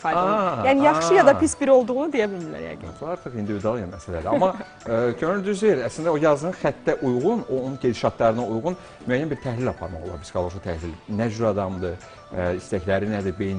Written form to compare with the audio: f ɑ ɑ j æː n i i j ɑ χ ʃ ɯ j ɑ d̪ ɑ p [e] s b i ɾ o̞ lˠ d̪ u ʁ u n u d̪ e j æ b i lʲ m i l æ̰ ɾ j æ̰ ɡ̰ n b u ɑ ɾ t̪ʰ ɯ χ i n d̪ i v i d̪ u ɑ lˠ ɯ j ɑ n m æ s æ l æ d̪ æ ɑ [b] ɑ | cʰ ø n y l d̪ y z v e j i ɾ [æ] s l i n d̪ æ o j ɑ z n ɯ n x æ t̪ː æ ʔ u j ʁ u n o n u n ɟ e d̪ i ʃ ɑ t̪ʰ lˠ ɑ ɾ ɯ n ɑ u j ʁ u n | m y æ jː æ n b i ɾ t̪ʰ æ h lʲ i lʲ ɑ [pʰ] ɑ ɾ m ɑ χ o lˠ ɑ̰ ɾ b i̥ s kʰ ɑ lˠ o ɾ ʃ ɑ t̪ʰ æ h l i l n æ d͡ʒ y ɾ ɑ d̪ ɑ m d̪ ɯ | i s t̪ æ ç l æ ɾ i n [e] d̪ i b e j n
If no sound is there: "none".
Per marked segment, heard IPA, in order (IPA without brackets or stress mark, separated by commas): i, m, æ, pʰ, æ